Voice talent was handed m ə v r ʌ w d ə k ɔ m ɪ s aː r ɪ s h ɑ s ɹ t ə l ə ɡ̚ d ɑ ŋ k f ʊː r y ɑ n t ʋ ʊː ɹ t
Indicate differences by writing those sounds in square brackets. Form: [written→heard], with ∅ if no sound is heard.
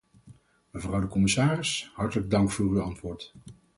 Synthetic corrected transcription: m ə v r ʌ w d ə k ɔ m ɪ s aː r ɪ s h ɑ [s→∅] ɹ t ə l ə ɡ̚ d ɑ ŋ k f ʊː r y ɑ n t ʋ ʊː ɹ t